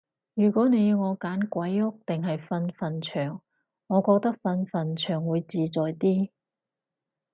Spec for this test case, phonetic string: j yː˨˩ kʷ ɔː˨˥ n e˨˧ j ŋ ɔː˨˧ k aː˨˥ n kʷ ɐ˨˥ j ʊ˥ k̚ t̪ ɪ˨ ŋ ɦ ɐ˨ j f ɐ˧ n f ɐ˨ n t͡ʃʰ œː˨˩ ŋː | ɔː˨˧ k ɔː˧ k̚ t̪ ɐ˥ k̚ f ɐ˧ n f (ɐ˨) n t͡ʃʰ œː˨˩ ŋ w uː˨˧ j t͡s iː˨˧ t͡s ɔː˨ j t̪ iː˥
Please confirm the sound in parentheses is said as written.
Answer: yes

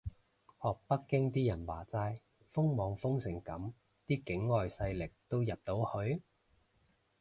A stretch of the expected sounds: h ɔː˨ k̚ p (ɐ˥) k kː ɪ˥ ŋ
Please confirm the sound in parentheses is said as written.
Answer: yes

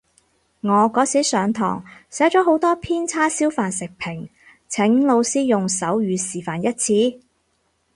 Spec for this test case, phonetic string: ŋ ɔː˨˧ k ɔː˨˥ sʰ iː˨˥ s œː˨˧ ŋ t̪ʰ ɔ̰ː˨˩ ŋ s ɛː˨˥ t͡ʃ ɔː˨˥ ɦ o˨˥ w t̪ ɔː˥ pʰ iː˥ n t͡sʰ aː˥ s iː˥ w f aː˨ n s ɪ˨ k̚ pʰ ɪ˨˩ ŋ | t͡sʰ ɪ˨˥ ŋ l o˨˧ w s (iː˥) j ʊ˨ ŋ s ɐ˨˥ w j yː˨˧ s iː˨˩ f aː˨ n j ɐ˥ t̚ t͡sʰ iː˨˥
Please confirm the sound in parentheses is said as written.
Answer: yes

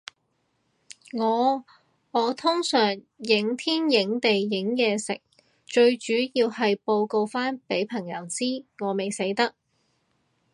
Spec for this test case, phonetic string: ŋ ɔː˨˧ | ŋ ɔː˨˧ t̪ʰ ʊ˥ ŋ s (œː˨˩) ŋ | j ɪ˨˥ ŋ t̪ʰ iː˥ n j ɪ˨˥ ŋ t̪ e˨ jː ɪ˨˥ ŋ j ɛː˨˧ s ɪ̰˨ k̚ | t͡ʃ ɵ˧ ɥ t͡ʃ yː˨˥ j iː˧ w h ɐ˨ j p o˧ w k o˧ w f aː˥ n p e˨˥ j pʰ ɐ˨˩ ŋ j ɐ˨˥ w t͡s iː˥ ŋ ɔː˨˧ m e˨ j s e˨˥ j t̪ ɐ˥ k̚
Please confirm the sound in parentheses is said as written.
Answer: yes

